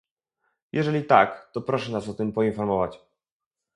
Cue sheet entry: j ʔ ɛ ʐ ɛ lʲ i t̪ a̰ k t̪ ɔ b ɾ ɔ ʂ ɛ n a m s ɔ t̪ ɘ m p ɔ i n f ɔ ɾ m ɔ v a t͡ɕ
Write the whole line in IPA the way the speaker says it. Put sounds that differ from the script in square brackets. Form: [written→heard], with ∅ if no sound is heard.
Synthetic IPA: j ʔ ɛ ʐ ɛ lʲ i t̪ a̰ k t̪ ɔ [b→p] ɾ ɔ ʂ ɛ n a [m→∅] s ɔ t̪ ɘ m p ɔ i n f ɔ ɾ m ɔ v a t͡ɕ